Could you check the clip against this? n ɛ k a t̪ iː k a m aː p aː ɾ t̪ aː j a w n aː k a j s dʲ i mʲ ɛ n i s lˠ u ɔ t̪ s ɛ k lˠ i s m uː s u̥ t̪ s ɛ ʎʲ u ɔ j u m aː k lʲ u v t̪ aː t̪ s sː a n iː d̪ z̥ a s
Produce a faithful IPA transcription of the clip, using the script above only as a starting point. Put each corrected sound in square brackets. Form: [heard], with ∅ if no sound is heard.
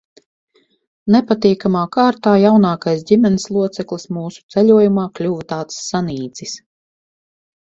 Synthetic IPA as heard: n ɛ [p] a t̪ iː k a m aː [k] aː ɾ t̪ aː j a w n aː k a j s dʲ i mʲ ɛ n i s lˠ u ɔ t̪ s ɛ k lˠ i s m uː s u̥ t̪ s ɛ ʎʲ u ɔ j u m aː k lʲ u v t̪ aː t̪ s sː a n iː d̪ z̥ [i] s